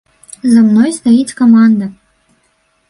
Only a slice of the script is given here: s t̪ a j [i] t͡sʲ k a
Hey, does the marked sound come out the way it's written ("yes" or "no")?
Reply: yes